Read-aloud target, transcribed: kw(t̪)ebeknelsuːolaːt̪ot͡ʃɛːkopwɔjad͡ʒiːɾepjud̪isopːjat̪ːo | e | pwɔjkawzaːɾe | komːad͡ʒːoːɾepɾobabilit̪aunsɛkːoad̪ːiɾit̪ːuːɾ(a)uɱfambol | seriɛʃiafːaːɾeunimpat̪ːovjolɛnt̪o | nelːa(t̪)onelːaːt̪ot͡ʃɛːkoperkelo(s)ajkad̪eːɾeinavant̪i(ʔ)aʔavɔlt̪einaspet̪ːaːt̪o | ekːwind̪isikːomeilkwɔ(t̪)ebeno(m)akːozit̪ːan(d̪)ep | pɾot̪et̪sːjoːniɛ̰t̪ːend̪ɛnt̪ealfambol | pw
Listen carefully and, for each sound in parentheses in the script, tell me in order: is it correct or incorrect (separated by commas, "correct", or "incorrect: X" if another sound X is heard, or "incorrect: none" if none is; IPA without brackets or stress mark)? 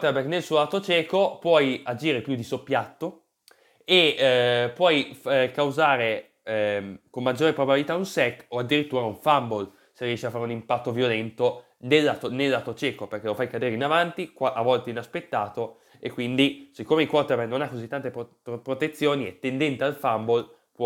correct, correct, correct, incorrect: f, incorrect: k, correct, incorrect: n, incorrect: t̪